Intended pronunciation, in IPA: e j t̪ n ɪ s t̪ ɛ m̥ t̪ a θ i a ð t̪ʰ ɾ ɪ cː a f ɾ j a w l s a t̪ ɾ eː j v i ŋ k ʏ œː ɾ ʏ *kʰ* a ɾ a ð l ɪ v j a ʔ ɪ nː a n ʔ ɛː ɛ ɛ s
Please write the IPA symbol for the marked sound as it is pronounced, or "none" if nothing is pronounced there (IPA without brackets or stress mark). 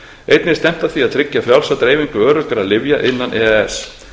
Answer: k